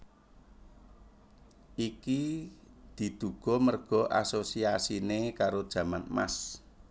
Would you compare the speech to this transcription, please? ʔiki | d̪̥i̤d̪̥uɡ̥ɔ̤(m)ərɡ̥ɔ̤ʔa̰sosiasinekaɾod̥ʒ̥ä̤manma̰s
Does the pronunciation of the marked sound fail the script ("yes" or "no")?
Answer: no